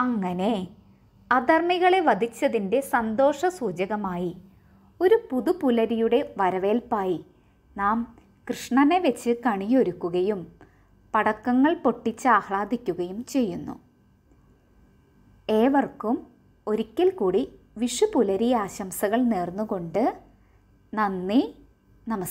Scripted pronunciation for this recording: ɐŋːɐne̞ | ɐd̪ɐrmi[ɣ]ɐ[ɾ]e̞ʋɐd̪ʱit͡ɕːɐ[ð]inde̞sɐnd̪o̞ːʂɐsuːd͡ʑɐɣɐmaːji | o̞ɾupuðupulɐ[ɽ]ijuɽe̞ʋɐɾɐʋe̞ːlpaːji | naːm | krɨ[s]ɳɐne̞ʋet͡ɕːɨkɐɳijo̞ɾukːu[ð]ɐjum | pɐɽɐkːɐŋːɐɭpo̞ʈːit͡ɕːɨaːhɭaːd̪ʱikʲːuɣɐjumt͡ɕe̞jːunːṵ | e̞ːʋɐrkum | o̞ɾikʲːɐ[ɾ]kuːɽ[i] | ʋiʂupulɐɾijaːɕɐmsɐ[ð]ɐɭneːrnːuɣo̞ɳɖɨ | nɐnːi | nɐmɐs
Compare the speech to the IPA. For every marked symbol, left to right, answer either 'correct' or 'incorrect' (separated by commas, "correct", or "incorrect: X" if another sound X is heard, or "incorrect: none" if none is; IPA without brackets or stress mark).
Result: correct, incorrect: ɭ, correct, incorrect: ɾ, incorrect: ʂ, incorrect: ɣ, incorrect: l, correct, incorrect: ɣ